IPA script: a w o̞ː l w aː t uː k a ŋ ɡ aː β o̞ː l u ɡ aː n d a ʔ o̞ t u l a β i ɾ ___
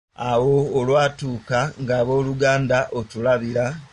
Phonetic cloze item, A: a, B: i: A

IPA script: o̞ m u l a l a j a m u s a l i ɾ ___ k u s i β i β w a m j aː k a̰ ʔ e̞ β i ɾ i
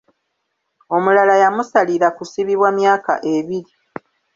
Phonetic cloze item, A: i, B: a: B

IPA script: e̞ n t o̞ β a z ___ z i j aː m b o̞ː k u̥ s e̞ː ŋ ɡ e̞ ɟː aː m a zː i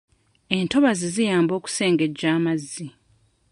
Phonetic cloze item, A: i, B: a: A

